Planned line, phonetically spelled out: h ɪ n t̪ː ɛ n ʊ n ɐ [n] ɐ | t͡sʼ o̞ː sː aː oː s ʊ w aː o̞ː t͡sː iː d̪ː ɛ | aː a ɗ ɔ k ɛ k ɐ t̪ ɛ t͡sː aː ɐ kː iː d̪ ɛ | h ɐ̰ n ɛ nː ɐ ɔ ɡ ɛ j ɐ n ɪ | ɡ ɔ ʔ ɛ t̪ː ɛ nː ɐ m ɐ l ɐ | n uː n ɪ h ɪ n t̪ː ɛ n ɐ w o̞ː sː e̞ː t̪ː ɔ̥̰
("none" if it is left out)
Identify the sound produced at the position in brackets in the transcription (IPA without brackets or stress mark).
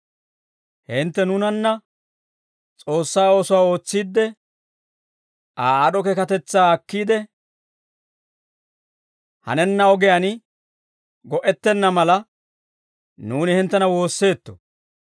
nː